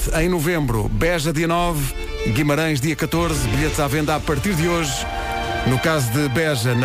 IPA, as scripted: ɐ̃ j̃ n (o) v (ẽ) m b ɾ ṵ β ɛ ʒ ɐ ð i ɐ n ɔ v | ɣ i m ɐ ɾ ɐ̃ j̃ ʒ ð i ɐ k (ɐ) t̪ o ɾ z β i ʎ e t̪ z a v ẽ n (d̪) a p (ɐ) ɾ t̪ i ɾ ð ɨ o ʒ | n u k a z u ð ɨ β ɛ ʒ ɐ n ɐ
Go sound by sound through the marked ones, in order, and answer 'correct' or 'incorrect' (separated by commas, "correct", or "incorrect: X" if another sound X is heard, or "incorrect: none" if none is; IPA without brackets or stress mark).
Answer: incorrect: u, correct, correct, correct, correct